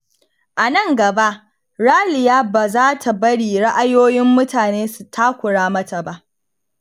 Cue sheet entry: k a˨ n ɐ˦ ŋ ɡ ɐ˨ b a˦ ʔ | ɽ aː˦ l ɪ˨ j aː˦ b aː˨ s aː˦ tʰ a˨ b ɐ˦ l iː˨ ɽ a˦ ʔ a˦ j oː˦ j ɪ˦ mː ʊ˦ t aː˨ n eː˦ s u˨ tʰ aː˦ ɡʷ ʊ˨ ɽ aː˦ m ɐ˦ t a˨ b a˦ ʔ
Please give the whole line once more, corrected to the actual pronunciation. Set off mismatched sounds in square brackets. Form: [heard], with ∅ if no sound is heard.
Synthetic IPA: [ʔ] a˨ n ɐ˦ ŋ ɡ ɐ˨ b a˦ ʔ | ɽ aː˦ l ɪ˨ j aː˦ b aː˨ [z] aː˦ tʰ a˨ b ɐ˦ [ɽ] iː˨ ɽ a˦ ʔ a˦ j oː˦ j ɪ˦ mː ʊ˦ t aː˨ n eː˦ s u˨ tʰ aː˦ [kʷ] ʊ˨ ɽ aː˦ m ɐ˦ t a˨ b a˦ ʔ